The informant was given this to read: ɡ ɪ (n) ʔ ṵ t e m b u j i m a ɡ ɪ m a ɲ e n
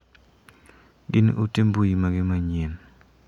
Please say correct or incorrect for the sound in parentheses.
correct